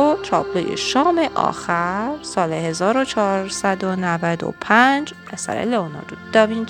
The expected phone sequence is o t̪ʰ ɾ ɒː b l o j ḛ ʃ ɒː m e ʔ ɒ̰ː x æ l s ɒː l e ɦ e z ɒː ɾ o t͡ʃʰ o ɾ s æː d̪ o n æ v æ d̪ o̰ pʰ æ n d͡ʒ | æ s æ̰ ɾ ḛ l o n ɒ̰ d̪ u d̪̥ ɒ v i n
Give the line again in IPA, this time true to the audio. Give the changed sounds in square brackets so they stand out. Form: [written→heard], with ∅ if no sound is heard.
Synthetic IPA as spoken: o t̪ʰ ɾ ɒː b l o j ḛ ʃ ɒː m e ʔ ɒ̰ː x æ [l→ɾ] s ɒː l e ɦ e z ɒː ɾ o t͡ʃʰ [o→ɒ] ɾ s [æː→æ] d̪ o n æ v æ d̪ o̰ pʰ æ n d͡ʒ | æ s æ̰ ɾ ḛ l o n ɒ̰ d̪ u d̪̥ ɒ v i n